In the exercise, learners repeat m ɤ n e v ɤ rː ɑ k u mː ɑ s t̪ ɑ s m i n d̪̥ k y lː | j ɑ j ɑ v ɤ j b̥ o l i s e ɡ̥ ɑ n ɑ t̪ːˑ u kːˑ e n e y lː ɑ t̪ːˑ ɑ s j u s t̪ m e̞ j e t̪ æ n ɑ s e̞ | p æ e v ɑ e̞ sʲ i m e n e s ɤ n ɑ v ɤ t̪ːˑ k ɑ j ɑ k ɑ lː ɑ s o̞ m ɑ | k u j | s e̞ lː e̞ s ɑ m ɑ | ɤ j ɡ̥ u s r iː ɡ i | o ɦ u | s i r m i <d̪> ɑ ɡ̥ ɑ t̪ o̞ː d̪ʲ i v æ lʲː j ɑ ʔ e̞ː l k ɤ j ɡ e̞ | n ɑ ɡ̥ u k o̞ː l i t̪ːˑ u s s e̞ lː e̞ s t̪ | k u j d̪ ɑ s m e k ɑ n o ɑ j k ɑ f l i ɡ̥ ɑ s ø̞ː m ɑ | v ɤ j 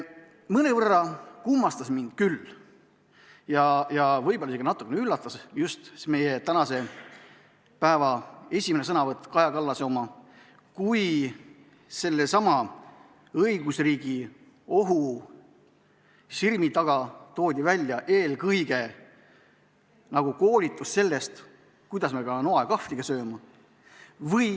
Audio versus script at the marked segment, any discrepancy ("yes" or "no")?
yes